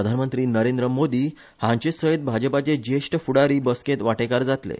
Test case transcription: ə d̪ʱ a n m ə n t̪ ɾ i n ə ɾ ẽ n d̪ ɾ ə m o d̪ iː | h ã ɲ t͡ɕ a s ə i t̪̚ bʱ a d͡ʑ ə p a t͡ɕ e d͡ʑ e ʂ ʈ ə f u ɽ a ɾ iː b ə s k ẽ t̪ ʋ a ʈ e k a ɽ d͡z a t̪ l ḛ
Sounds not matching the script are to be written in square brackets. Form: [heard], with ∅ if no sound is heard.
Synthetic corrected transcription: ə d̪ʱ a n m ə n t̪ ɾ [iː] n ə ɾ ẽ n d̪ ɾ ə m o d̪ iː | h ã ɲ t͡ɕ [e] s ə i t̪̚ bʱ a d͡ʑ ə p a t͡ɕ e d͡ʑ e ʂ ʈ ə f u ɽ a ɾ iː b ə s k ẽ t̪ ʋ a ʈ e k a [ɾ] d͡z a t̪ l ḛ